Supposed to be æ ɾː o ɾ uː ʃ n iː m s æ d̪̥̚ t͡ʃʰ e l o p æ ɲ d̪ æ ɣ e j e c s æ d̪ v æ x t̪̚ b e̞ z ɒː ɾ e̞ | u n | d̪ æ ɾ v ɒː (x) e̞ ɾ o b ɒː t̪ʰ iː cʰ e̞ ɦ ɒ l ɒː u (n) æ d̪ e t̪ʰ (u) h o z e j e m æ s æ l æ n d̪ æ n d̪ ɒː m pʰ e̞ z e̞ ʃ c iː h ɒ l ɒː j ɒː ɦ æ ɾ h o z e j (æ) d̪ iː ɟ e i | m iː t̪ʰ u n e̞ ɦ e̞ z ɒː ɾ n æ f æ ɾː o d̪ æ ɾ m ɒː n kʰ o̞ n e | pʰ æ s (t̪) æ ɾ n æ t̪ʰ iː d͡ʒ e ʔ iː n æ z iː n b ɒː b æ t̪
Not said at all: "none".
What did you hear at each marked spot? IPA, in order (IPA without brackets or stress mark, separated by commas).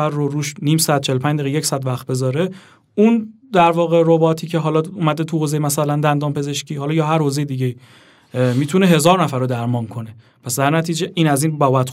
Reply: ɣ, m, u, e, d̪